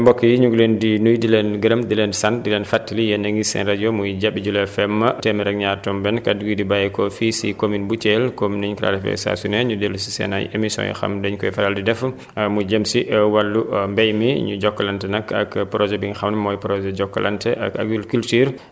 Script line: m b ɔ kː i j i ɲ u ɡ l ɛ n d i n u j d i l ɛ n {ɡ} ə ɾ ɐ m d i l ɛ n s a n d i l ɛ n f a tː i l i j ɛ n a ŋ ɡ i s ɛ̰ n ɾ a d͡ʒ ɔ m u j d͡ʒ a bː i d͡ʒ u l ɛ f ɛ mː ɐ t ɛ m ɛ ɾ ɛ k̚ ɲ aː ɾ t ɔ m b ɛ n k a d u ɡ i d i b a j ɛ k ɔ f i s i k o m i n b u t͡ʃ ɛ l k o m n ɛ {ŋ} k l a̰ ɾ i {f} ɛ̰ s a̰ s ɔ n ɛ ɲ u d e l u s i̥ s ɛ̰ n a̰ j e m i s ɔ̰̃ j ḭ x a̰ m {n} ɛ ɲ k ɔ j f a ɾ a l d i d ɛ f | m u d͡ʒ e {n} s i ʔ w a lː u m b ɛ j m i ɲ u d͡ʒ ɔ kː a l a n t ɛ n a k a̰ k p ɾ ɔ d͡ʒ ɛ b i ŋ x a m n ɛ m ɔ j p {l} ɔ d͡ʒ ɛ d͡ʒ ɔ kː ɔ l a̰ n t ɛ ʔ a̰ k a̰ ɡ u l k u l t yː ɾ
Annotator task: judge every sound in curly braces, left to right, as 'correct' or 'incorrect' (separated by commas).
correct, incorrect, correct, incorrect, incorrect, incorrect